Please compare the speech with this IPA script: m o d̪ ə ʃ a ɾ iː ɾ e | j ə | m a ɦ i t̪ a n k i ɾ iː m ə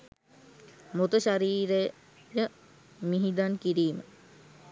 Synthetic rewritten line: m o t̪ ə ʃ a ɾ iː ɾ e | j ə | m i ɦ i d̪ a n k i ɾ iː m ə

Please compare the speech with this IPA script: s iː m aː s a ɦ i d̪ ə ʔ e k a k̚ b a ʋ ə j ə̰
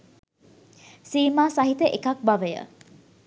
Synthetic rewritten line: s iː m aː s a ɦ i t̪ ə ʔ e k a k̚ b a ʋ ə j ə̰

